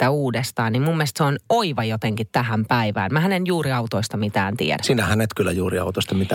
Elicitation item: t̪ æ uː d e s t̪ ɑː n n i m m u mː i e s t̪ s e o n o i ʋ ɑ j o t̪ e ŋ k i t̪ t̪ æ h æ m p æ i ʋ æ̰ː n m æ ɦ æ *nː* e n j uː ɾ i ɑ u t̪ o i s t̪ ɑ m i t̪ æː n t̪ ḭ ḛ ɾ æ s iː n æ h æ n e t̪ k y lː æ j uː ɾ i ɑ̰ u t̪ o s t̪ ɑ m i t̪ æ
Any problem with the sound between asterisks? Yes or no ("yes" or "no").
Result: yes